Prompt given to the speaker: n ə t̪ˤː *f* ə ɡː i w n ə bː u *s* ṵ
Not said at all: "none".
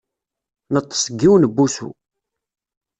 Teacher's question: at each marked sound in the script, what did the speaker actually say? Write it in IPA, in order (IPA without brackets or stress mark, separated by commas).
s, s